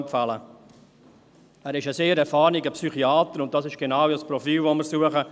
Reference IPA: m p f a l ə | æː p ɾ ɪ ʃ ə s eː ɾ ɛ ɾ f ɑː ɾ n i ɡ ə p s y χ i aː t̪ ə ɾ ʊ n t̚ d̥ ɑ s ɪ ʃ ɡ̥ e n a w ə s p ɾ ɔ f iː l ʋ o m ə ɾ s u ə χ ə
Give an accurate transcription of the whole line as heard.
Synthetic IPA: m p f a l ə | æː ɾ ɪ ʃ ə s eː ɾ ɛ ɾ f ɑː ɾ n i ɡ ə p s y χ i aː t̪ ə ɾ ʊ n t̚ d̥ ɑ s ɪ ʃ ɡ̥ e n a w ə s p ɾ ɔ f iː l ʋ o m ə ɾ s u ə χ ə